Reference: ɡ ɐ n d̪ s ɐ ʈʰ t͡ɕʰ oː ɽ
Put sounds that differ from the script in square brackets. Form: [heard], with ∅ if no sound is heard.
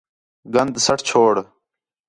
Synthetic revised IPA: ɡ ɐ n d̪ s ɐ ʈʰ t͡ɕʰ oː ɽ